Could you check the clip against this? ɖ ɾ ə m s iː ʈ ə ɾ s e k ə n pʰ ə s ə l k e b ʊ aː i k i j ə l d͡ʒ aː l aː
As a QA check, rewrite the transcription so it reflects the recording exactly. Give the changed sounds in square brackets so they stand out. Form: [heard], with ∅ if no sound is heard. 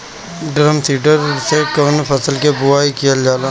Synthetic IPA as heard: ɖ ɾ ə m s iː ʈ ə ɾ s e k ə n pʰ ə s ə l k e b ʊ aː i k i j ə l d͡ʒ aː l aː